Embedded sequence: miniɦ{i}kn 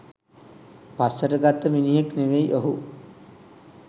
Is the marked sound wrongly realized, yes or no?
yes